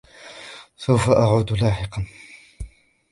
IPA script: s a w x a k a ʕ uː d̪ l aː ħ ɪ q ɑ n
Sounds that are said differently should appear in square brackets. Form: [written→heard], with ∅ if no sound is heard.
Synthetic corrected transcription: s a w [x→f] a [k→ʔ] a ʕ uː d̪ l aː ħ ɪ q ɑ n